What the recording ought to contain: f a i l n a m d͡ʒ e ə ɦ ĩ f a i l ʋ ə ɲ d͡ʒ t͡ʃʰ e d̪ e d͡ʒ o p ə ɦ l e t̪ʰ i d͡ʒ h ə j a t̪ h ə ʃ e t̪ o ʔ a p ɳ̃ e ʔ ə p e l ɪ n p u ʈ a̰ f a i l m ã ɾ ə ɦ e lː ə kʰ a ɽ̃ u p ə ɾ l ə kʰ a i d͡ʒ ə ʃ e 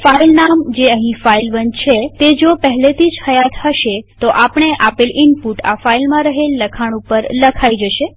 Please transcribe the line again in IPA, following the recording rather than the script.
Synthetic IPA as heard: f a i l n a m d͡ʒ e ə ɦ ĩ f a i l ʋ ə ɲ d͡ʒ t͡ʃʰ e t̪ e d͡ʒ o p ə ɦ l e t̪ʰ i d͡ʒ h ə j a t̪ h ə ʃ e t̪ o ʔ a p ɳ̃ e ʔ a p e l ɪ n p u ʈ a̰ f a i l m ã ɾ ə ɦ e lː ə kʰ a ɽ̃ u p ə ɾ l ə kʰ a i d͡ʒ ə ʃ e